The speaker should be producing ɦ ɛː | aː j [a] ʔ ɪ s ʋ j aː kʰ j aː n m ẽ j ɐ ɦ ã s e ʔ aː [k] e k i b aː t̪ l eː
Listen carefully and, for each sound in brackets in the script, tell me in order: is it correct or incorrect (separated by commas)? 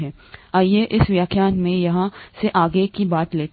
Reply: incorrect, incorrect